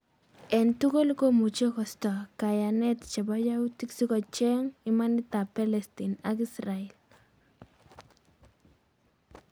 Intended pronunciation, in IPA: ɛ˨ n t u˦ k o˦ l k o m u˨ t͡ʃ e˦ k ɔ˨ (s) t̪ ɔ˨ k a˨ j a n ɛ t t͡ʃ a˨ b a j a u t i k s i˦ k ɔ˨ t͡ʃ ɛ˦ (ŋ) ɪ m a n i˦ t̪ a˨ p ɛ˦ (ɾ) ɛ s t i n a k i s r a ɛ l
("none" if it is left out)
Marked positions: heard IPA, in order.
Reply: s, ŋ, l

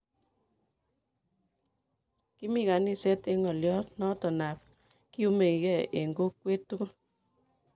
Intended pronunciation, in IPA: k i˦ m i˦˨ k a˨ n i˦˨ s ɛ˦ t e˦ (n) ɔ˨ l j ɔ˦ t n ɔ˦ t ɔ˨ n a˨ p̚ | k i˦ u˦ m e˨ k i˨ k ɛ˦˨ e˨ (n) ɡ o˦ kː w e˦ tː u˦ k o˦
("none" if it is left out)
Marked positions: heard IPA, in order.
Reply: ŋ, ŋ

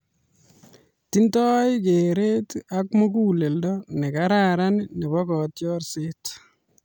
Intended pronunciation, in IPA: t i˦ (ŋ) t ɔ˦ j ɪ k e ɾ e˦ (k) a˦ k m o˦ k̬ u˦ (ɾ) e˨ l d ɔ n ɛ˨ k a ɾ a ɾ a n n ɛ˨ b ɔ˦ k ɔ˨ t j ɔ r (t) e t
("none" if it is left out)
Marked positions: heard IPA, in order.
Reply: n, t, l, s

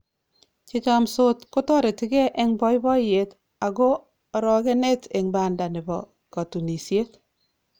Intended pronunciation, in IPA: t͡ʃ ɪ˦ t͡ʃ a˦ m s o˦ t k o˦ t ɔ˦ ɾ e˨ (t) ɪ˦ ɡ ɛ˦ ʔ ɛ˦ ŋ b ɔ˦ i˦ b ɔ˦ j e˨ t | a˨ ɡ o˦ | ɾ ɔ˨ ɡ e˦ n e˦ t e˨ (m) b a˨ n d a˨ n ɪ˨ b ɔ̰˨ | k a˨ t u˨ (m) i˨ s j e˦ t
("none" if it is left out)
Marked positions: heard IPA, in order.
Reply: t, ŋ, n

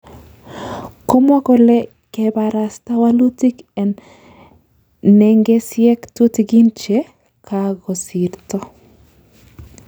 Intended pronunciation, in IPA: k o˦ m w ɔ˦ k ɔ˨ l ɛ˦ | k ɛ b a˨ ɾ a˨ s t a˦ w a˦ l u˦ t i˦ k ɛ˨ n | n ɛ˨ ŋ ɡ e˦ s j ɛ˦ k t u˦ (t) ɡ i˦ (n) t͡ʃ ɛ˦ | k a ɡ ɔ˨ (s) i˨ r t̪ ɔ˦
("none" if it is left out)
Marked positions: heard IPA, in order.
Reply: t, n, s

